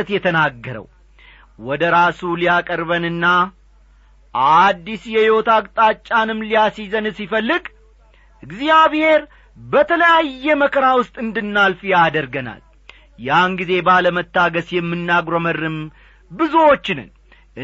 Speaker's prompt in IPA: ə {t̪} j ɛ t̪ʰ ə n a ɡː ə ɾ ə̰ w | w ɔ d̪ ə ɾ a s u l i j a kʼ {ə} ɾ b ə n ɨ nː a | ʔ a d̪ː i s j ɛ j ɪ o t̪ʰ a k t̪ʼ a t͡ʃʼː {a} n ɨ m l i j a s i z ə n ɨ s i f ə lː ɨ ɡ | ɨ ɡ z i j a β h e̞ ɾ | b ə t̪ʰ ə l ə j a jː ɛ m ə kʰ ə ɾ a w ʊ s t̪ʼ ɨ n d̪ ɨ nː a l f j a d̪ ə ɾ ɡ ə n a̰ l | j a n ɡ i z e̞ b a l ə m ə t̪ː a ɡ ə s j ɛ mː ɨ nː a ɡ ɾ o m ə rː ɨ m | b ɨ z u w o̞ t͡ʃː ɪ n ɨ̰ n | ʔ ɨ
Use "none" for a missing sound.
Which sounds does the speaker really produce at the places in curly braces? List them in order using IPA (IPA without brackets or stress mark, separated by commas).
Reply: t̪, ə, a